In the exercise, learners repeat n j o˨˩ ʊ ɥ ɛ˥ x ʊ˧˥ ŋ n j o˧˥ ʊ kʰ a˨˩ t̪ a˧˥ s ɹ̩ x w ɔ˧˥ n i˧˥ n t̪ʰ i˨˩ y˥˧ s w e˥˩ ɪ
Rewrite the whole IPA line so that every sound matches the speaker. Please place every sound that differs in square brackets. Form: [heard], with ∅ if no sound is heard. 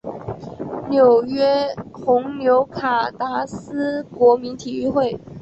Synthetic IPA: n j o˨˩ ʊ ɥ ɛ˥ x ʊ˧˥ ŋ n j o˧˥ ʊ kʰ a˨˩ t̪ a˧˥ s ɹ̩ [k] w ɔ˧˥ [m] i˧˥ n t̪ʰ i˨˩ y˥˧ [x] w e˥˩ ɪ